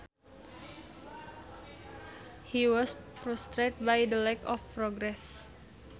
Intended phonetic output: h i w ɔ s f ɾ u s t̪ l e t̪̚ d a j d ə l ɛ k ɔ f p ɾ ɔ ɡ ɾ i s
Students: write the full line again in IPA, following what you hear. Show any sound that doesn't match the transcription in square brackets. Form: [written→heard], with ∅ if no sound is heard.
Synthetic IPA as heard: h i w ɔ s f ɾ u s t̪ [l→ɾ] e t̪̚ [d→b] a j d ə l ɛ k ɔ f p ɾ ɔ ɡ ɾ [i→ɛ] s

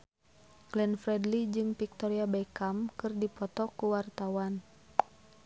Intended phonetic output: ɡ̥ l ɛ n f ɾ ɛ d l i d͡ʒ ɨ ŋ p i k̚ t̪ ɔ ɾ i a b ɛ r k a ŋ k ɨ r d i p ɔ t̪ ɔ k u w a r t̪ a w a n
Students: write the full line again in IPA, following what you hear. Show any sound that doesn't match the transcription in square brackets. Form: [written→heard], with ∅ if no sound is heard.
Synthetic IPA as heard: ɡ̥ l ɛ n f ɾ ɛ d l i d͡ʒ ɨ ŋ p i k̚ t̪ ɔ ɾ i a b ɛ [r→∅] k a [ŋ→m] k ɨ r d i p ɔ t̪ ɔ k u w a r t̪ a w a n

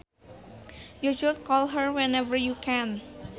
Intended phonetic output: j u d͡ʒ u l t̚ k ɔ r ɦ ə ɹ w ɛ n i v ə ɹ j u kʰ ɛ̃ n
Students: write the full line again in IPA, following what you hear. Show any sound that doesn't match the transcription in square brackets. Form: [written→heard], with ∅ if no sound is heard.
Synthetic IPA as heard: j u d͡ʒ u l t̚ k ɔ [r→l] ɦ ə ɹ w ɛ n [i→ɛ] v ə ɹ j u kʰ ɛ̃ n

